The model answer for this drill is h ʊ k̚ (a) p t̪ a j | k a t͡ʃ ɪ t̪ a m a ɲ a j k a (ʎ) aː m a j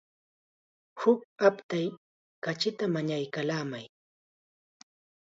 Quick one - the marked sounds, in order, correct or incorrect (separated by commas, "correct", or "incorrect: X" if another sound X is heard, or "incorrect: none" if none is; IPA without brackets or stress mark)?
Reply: correct, incorrect: l